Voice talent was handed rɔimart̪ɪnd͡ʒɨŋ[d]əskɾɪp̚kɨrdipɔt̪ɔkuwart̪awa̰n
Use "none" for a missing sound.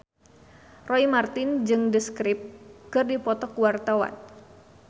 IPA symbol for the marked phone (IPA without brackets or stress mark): d